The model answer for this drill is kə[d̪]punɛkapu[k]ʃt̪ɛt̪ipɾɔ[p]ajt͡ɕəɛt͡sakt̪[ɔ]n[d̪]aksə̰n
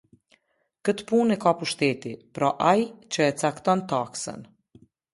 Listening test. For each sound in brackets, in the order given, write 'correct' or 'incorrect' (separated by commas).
incorrect, incorrect, incorrect, correct, incorrect